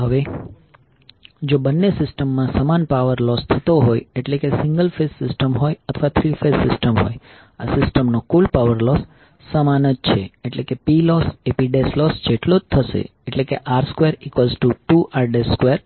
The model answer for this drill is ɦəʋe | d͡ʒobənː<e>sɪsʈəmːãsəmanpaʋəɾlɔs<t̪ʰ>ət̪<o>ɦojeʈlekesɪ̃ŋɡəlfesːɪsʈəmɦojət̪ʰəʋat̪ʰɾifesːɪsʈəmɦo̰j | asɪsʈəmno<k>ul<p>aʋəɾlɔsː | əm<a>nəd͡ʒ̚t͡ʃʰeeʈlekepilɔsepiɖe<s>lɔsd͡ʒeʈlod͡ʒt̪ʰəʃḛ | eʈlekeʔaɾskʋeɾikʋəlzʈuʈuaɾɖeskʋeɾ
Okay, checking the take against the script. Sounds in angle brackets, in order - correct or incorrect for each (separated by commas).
correct, correct, correct, correct, correct, correct, correct